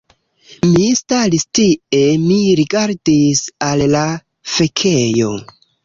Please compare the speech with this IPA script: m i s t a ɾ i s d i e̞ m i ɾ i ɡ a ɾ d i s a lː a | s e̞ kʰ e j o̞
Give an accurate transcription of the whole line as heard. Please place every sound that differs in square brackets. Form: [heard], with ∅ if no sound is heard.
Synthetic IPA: m i s t a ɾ i s [t] i e̞ m i ɾ i ɡ a ɾ d i s a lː a | [f] e̞ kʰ e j o̞